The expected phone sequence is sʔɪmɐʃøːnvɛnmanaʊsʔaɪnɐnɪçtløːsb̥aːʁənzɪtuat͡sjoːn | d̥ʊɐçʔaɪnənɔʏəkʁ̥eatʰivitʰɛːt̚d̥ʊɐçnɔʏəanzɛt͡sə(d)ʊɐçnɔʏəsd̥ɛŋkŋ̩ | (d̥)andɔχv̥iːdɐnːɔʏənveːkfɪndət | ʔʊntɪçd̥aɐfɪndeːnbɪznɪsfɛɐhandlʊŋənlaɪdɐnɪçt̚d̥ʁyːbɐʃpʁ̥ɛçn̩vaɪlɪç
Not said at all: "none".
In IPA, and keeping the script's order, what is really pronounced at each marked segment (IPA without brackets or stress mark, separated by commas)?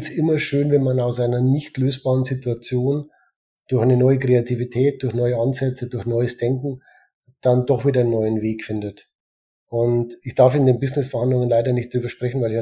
d, d̥